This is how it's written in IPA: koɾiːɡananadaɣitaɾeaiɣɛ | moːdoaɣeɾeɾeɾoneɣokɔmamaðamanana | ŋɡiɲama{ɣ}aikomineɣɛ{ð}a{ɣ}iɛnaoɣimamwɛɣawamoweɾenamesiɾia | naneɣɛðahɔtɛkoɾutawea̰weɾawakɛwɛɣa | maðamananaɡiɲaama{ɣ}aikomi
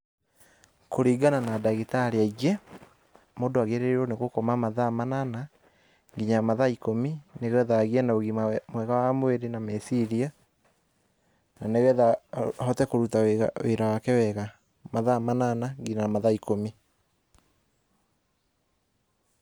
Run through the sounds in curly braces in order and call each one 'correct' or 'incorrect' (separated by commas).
incorrect, correct, correct, incorrect